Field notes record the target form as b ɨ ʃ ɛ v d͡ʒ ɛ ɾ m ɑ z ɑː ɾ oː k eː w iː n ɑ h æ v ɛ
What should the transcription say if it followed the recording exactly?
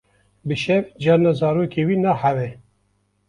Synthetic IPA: b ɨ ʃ ɛ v d͡ʒ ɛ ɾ n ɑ z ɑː ɾ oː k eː w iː n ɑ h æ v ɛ